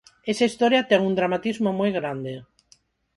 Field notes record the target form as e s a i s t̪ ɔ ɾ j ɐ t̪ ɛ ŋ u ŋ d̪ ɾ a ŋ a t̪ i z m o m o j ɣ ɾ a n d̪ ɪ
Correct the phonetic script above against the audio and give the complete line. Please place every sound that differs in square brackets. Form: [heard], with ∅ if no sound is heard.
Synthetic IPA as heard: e s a i s t̪ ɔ ɾ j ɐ t̪ ɛ ŋ u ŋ d̪ ɾ a [m] a t̪ i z m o m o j ɣ ɾ a n d̪ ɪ

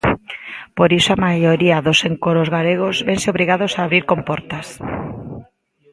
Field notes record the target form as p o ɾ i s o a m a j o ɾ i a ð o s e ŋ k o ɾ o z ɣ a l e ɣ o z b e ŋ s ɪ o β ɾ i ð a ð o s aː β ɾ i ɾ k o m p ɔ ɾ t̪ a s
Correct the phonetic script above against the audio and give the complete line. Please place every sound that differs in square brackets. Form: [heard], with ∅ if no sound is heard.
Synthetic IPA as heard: p o ɾ i s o a m a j o ɾ i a ð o s e ŋ k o ɾ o z ɣ a l e ɣ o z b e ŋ s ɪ o β ɾ i [ɣ] a ð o s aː β ɾ i ɾ k o m p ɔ ɾ t̪ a s

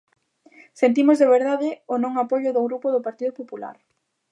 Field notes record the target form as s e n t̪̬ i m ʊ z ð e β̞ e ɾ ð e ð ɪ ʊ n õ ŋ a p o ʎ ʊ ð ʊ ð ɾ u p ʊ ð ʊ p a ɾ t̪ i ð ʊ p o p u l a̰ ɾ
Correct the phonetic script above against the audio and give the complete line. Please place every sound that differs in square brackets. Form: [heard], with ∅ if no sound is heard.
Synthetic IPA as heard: s e n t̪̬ i m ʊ z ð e β̞ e ɾ ð [a] ð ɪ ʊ n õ ŋ a p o ʎ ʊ ð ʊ [ɣ] ɾ u p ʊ ð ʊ p a ɾ t̪ i ð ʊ p o p u l a̰ ɾ

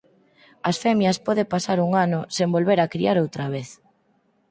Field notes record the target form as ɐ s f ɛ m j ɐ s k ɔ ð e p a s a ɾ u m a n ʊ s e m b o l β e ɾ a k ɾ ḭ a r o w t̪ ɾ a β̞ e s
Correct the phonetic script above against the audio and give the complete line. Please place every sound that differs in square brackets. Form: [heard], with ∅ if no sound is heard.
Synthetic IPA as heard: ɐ s f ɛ m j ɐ s [p] ɔ ð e p a s a ɾ u [ŋ] a n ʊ s e m b o l β e ɾ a k ɾ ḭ a [ɾ] o w t̪ ɾ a β̞ e [θ]

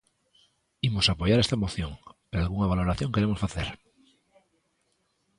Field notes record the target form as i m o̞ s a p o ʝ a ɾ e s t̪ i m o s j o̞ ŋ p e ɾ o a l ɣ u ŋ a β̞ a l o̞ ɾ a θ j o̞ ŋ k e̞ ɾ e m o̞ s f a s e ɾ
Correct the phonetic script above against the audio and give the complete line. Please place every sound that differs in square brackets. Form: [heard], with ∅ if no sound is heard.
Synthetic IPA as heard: i m o̞ s a p o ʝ a ɾ e s t̪ [a] m o [θ] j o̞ ŋ p e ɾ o a l ɣ u ŋ a β̞ a l o̞ ɾ a θ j o̞ ŋ k e̞ ɾ e m o̞ s f a [θ] e ɾ

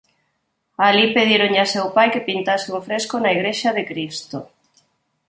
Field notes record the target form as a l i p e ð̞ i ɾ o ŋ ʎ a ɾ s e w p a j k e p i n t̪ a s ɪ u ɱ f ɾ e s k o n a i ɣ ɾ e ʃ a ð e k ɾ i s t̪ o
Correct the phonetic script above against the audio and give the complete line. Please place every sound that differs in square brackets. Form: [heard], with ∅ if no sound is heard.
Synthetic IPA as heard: a l i p e ð̞ i ɾ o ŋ ʎ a [∅] s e w p a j k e p i n t̪ a s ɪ u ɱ f ɾ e s k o n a i ɣ ɾ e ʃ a ð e k ɾ i s t̪ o

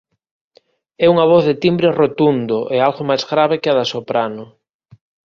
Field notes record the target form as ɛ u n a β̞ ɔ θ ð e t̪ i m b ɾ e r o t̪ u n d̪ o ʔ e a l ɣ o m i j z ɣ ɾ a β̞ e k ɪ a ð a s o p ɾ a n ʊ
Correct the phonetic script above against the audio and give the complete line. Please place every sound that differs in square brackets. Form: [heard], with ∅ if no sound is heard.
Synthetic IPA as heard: ɛ u [ŋ] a β̞ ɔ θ ð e t̪ i m b ɾ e r o t̪ u n d̪ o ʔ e a l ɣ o m [a] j z ɣ ɾ a β̞ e k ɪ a ð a s o p ɾ a n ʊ

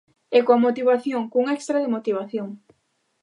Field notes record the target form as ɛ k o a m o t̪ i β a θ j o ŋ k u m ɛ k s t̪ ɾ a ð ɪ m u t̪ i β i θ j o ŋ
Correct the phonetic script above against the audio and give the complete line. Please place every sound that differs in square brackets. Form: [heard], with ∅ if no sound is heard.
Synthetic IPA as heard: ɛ k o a m o t̪ i β a θ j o ŋ k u [ŋ] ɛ k s t̪ ɾ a ð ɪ m [o] t̪ i β [a] θ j o ŋ

